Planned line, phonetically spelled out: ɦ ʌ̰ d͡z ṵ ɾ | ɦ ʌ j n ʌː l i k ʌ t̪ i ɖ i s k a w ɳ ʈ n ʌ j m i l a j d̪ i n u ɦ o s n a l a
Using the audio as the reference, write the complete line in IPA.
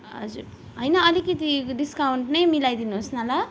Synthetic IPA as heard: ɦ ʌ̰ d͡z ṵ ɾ | ɦ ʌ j n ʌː l i k ʌ t̪ i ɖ i s k a w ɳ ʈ n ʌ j m i l a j d̪ i n u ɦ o s n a l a